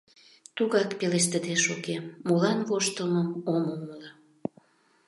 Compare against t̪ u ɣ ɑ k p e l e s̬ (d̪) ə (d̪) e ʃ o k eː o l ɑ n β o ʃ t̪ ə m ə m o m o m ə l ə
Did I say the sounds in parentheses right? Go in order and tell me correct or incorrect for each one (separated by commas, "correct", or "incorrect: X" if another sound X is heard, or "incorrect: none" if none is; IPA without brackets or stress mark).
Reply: incorrect: t̪, correct